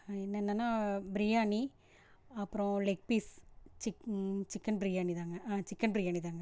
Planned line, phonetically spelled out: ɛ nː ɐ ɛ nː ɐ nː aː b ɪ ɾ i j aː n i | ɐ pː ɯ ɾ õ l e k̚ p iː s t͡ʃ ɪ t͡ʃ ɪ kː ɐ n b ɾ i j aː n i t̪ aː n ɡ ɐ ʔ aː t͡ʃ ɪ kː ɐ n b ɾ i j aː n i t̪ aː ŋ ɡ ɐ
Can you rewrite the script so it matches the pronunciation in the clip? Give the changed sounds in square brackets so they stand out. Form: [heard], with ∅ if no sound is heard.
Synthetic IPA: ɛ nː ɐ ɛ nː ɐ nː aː b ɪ ɾ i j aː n i | ɐ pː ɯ ɾ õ l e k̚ p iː s t͡ʃ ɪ t͡ʃ ɪ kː ɐ n b ɾ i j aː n i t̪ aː [ŋ] ɡ ɐ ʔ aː t͡ʃ ɪ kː ɐ n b ɾ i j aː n i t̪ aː ŋ ɡ ɐ